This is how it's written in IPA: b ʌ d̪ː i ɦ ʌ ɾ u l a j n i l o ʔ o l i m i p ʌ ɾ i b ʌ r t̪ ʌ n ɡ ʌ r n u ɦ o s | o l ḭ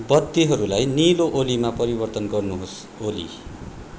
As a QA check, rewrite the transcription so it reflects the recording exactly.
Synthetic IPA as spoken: b ʌ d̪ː i ɦ ʌ ɾ u l a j n i l o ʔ o l i m a p ʌ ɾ i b ʌ r t̪ ʌ n ɡ ʌ r n u ɦ o s | o l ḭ